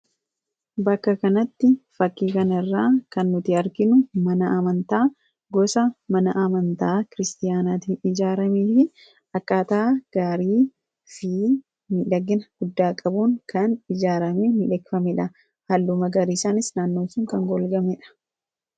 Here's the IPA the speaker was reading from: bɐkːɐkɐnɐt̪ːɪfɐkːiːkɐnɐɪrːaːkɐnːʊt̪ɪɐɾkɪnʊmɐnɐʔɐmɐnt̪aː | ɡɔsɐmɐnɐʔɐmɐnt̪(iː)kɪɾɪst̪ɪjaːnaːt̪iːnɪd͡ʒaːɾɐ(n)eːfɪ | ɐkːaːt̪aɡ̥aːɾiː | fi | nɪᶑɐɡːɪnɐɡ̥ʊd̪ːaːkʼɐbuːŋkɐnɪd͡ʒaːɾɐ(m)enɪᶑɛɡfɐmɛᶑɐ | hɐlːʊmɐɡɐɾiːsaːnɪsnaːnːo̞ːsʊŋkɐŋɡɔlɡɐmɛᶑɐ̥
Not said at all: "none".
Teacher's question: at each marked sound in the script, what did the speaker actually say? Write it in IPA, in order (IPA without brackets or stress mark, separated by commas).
aː, m, m